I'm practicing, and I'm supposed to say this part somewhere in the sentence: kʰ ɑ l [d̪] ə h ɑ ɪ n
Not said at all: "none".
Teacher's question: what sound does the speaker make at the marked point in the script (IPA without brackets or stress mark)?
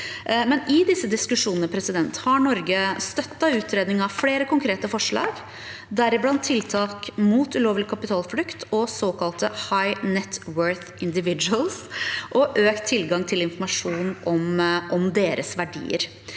t̪